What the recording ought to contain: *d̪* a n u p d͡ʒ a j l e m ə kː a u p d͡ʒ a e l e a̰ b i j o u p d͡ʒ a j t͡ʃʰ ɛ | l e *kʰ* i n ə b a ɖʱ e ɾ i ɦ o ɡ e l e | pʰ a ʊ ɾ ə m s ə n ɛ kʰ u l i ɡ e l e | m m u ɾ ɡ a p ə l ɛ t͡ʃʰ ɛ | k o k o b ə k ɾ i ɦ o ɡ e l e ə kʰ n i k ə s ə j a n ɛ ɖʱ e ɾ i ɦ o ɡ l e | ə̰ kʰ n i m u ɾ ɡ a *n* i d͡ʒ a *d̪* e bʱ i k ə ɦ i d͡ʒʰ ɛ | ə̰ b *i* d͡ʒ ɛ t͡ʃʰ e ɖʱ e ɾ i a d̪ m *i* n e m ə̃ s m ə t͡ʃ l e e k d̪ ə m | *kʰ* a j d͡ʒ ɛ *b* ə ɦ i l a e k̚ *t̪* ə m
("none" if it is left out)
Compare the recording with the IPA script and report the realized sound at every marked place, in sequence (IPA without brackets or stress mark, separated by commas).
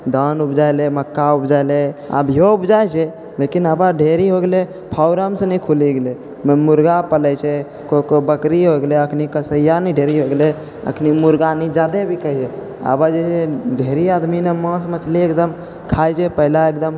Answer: d̪, k, n, d̪, a, i, kʰ, p, d̪